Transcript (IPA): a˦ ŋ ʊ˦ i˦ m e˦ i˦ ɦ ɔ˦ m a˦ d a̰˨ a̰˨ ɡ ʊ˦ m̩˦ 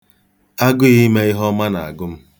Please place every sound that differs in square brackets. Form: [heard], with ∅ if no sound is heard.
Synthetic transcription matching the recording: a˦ [ɡ] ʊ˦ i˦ m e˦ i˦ ɦ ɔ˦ m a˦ [n] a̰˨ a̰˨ ɡ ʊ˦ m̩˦